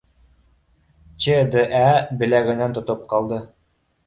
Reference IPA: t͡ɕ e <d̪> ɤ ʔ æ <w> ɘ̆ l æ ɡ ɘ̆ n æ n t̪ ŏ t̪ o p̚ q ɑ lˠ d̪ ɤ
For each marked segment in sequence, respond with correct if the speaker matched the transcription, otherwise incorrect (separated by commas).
correct, incorrect